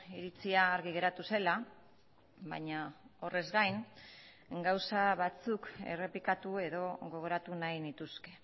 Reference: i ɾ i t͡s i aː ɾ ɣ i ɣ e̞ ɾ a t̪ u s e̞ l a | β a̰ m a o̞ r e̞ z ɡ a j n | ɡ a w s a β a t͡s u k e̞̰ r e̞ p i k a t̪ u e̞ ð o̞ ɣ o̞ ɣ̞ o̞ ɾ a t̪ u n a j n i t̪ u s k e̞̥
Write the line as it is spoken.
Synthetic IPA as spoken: i ɾ i t͡s i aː ɾ ɣ i ɣ e̞ ɾ a t̪ u s e̞ l a | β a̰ ɲ a o̞ r e̞ z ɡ a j n | ɡ a w s a β a t͡s u k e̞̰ r e̞ p i k a t̪ u e̞ ð o̞ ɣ o̞ ɣ̞ o̞ ɾ a t̪ u n a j n i t̪ u s k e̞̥